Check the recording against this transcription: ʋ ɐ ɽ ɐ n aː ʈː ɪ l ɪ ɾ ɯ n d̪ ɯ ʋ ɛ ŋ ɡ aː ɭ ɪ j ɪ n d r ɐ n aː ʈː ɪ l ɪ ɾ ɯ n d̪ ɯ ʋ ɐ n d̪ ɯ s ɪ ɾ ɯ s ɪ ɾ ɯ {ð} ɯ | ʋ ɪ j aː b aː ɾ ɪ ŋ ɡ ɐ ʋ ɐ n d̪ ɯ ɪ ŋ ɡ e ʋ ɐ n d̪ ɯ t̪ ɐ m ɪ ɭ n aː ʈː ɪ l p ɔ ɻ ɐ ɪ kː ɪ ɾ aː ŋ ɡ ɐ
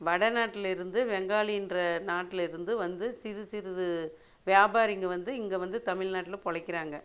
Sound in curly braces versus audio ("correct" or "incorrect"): correct